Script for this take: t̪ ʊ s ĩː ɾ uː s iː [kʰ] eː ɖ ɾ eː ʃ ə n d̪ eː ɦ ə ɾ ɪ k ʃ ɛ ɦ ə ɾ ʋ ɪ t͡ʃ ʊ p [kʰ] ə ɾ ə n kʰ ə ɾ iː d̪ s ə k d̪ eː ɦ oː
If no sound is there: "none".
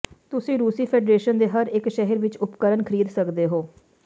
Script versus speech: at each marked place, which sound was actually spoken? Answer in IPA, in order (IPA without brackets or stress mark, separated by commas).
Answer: pʰ, k